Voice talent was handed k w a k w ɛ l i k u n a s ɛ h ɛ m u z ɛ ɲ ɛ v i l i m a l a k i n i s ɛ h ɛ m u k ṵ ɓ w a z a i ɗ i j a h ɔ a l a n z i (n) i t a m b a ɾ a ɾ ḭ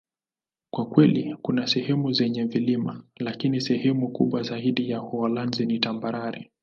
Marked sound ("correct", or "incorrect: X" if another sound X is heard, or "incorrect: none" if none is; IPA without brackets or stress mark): correct